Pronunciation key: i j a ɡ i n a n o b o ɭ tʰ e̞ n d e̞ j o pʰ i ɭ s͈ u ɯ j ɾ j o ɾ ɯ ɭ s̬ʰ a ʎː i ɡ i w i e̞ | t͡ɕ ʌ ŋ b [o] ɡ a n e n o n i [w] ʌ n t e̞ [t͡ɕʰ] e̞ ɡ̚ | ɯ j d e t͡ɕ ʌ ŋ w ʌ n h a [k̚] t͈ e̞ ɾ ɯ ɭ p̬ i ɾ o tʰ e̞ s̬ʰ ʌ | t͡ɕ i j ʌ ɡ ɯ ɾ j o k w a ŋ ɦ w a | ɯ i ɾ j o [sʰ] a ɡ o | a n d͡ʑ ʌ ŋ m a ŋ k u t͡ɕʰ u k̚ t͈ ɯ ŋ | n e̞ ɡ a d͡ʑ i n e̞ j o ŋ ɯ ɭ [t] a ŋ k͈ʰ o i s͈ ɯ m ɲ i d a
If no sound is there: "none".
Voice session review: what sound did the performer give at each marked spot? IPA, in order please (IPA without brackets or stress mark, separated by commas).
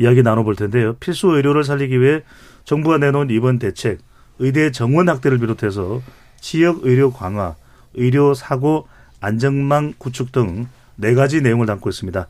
u, b, t͡ɕʰ, k̚, sʰ, t